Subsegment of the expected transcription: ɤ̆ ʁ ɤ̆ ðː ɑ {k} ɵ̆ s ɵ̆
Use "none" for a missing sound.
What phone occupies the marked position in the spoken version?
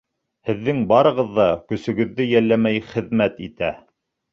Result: k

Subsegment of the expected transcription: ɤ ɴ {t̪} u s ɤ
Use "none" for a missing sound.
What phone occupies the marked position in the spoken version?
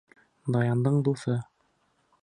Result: d̪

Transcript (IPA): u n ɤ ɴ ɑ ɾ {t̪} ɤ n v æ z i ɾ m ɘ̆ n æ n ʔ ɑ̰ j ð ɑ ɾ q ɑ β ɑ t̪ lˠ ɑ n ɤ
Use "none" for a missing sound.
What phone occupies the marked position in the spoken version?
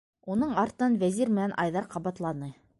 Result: t̪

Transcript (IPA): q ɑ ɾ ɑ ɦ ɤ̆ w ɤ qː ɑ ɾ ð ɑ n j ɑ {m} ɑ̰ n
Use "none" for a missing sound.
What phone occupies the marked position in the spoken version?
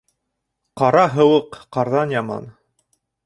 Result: m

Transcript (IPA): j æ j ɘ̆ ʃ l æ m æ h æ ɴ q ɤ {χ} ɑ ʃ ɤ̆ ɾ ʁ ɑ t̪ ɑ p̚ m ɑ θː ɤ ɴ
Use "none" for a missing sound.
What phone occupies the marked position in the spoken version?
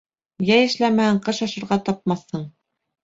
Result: ʃ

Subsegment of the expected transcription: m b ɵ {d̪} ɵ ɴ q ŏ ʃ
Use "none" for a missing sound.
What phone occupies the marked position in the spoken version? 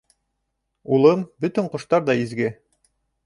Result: t̪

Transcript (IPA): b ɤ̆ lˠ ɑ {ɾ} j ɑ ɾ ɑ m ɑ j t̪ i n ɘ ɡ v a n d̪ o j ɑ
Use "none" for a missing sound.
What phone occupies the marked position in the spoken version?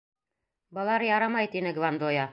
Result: ɾ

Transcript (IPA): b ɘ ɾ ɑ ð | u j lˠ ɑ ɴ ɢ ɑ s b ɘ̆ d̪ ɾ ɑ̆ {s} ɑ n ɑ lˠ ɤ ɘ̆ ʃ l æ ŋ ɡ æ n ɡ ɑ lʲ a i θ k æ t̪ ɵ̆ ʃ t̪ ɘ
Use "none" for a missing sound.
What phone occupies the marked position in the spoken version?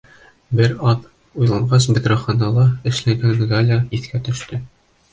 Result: χ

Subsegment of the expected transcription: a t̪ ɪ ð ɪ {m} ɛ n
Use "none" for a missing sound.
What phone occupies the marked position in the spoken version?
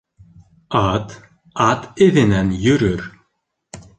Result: n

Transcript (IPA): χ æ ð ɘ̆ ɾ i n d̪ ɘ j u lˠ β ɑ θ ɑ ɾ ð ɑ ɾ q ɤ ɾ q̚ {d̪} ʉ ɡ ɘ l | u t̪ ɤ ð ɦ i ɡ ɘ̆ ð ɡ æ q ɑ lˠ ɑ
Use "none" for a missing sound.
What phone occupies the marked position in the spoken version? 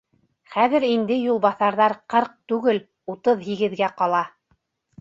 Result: t̪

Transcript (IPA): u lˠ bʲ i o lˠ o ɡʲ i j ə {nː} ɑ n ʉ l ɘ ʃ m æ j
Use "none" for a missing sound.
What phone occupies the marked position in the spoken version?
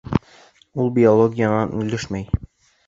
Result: n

